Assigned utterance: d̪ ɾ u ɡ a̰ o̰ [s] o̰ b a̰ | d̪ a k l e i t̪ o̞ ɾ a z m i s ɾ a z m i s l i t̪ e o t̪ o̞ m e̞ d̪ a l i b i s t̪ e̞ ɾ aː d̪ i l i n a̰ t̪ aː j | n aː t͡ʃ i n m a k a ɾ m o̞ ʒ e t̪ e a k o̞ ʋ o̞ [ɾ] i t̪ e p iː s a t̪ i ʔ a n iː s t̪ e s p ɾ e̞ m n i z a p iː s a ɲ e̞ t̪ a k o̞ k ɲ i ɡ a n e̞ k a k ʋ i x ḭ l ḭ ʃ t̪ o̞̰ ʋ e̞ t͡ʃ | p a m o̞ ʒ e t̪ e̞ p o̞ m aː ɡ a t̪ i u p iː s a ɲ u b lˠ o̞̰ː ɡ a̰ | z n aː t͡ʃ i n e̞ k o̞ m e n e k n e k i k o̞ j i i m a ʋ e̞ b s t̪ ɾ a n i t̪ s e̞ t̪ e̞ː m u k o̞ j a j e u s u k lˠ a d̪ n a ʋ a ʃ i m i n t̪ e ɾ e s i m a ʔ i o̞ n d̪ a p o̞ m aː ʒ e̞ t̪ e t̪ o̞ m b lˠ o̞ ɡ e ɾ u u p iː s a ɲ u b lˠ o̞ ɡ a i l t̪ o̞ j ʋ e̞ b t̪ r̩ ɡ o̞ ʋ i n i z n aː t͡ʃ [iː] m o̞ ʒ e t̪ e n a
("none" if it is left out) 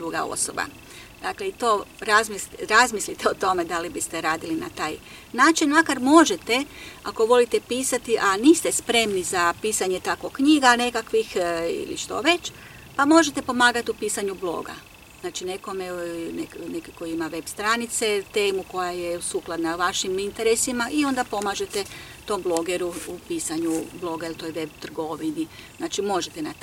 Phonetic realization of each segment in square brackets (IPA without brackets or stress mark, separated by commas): s, l, i